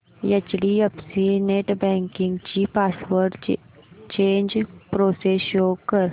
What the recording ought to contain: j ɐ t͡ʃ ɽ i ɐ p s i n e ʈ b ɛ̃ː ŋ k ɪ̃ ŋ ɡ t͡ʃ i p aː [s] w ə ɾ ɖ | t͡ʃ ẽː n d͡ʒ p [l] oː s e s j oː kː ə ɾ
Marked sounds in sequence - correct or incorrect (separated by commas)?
correct, incorrect